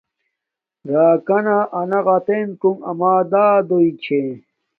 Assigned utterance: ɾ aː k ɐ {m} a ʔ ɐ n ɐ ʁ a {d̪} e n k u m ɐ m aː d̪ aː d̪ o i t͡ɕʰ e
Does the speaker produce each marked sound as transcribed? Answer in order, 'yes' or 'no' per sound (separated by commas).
no, no